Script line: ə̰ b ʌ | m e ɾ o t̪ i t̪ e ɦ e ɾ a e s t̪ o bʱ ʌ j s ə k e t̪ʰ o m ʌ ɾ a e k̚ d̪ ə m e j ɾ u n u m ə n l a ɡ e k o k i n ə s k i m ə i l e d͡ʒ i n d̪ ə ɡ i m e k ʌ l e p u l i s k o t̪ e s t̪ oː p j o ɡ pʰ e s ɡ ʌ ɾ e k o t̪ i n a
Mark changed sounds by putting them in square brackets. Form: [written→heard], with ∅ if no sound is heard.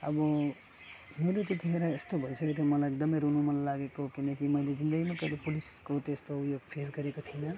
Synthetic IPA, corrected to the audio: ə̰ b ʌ | m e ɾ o t̪ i t̪ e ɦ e ɾ a e s t̪ o bʱ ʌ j s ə k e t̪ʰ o m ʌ [ɾ→l] a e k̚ d̪ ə m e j ɾ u n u m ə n l a ɡ e k o k i n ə [s→∅] k i m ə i l e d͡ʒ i n d̪ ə ɡ i m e k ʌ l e p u l i s k o t̪ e s t̪ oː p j o ɡ pʰ e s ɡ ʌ ɾ e k o [t̪→t̪ʰ] i n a